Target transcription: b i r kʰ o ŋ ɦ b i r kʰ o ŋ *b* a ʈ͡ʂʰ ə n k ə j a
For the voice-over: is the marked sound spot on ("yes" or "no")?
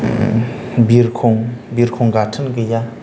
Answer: no